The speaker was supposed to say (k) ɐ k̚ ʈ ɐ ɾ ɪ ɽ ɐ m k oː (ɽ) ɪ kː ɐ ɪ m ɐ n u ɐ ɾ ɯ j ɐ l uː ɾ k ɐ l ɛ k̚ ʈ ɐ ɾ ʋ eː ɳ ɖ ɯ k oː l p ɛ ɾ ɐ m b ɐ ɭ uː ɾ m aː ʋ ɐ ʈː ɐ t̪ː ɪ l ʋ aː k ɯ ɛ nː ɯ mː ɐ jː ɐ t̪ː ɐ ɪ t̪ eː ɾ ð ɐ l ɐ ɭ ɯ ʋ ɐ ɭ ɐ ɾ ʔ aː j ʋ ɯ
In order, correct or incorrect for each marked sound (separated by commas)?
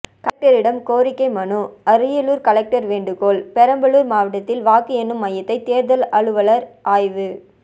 correct, incorrect